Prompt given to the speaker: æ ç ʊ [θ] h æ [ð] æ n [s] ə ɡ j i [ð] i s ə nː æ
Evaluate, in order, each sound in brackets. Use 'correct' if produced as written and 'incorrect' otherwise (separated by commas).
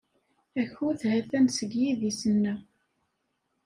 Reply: correct, incorrect, correct, correct